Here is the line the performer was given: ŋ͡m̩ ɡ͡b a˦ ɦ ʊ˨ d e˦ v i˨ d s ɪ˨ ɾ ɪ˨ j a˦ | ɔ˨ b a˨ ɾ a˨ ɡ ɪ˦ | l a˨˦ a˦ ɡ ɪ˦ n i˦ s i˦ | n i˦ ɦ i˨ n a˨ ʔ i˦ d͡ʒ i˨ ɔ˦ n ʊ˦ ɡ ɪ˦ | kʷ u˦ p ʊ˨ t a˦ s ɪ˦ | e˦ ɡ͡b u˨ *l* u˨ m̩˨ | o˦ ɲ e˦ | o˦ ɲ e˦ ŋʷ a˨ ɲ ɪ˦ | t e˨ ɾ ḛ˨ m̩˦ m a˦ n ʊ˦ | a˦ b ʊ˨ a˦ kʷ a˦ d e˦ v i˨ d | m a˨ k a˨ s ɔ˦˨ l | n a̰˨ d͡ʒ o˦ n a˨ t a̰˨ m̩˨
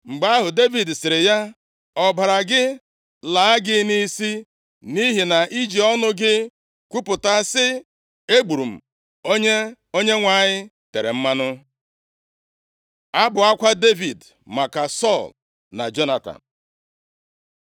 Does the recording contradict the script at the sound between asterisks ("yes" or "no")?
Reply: yes